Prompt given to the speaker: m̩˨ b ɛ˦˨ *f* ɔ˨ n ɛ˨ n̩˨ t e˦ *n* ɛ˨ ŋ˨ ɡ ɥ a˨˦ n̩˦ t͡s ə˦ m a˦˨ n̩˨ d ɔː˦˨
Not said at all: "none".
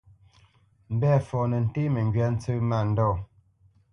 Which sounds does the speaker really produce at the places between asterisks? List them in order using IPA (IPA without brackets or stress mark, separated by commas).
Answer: f, m